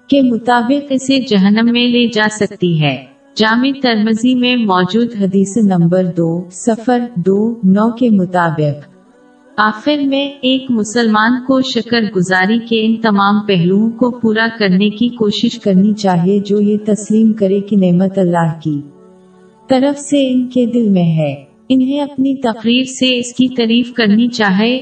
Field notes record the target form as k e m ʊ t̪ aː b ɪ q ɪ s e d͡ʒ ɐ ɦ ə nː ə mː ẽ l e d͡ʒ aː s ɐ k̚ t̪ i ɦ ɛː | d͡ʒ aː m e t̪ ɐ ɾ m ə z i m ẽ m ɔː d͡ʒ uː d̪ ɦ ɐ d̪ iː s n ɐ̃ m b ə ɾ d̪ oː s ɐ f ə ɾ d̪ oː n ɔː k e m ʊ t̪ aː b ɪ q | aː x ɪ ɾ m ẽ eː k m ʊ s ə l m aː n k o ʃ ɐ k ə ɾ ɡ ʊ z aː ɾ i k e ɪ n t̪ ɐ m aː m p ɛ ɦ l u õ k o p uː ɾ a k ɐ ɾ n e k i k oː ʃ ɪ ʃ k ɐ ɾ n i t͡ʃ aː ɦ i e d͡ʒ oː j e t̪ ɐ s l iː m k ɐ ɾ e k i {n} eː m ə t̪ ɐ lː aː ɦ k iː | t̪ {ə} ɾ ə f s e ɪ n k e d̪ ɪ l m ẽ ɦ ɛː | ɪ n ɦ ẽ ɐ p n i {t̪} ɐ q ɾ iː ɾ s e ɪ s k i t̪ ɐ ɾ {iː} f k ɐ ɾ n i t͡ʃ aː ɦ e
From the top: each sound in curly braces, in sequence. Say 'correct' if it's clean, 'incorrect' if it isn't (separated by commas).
correct, incorrect, correct, correct